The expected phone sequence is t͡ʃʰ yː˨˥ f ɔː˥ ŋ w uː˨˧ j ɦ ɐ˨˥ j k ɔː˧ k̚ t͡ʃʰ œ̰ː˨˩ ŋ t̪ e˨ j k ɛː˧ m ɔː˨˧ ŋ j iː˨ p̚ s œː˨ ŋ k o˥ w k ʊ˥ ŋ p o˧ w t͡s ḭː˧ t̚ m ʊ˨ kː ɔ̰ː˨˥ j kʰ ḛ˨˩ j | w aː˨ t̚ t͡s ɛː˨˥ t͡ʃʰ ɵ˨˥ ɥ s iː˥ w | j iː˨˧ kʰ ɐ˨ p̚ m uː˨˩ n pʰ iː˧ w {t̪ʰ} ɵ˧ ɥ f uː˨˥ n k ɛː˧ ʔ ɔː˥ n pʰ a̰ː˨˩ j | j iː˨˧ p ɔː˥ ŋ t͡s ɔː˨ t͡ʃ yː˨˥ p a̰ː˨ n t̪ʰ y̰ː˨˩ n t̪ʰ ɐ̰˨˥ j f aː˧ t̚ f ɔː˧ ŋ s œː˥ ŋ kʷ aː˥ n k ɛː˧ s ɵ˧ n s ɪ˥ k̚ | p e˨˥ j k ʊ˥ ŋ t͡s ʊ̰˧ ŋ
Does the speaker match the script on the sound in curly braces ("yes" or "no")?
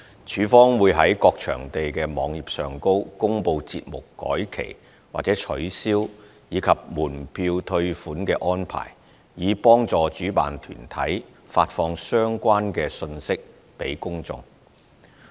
yes